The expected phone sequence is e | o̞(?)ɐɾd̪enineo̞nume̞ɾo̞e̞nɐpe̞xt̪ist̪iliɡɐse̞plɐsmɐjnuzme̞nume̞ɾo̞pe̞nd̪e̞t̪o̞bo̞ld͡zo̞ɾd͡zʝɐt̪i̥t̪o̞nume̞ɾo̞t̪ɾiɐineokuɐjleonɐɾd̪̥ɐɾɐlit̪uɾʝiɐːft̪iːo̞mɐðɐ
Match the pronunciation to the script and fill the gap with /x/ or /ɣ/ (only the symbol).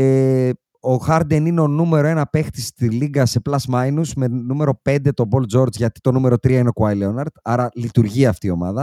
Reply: x